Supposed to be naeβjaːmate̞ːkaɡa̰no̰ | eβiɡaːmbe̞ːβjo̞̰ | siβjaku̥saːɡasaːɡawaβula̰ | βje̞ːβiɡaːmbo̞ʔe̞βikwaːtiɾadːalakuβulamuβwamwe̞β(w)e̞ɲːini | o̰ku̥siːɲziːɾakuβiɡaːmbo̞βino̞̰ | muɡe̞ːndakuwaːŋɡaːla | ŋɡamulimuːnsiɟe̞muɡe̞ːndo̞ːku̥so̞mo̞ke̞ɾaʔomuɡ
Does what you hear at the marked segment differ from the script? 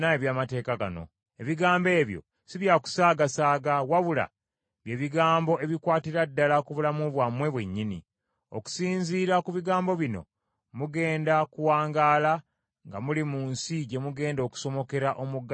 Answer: no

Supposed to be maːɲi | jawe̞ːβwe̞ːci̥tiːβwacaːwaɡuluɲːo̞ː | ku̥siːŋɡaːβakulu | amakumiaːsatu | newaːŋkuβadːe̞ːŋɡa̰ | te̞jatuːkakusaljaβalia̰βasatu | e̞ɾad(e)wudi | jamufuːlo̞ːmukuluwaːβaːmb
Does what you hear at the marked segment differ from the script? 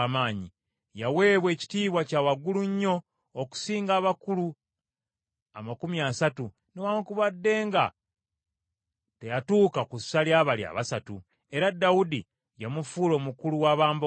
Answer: yes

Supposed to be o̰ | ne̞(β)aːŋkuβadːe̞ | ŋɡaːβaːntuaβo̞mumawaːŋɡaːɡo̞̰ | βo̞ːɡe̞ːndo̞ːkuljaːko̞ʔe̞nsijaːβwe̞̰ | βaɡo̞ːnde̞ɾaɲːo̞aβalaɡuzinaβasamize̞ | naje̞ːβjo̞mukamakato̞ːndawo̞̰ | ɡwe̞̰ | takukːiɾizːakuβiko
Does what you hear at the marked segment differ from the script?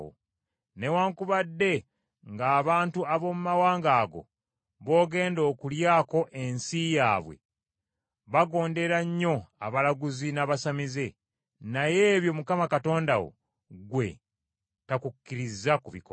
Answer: yes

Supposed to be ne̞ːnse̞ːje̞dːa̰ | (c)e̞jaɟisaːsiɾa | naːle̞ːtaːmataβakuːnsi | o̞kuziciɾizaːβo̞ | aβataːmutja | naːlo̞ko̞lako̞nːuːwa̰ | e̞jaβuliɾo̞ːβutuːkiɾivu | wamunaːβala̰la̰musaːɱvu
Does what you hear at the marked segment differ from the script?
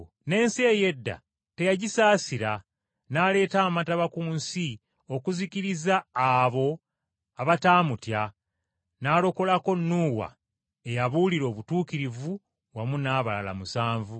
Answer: yes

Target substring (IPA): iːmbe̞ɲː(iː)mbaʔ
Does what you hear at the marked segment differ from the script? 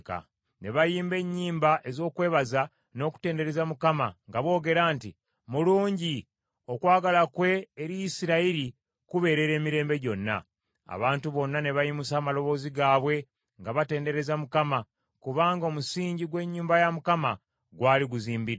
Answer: no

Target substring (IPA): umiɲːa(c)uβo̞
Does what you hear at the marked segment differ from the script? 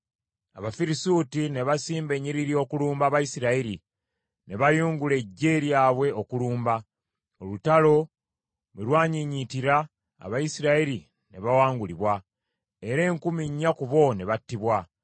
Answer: yes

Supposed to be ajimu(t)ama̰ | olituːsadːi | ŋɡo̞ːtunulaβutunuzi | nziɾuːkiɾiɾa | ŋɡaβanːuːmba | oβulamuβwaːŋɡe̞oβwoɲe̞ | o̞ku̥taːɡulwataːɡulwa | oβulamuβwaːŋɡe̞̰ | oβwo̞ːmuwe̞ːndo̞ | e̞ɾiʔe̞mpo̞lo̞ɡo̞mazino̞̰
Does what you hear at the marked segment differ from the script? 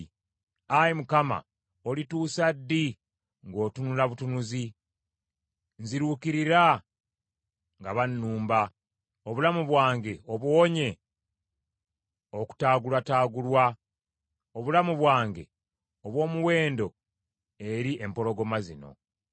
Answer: yes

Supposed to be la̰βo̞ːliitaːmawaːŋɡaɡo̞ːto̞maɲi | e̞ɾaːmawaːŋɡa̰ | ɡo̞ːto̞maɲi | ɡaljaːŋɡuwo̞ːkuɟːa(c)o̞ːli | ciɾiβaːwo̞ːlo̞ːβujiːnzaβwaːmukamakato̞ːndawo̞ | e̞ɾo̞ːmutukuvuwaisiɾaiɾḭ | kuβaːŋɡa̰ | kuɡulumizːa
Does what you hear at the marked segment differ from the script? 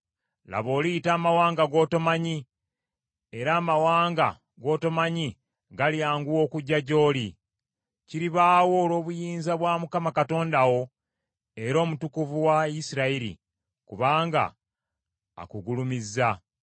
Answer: yes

